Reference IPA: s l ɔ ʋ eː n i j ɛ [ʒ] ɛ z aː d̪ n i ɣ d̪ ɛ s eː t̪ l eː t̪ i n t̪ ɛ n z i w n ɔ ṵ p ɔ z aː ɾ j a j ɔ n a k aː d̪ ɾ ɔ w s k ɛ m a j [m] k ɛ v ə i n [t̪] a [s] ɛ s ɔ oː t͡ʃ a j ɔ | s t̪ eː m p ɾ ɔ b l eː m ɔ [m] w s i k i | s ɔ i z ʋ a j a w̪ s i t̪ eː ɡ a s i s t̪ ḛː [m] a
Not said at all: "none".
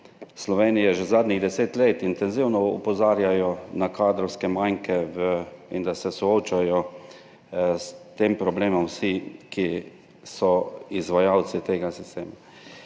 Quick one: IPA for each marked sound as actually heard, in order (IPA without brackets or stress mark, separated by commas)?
ʒ, ŋ, d̪, s, m, m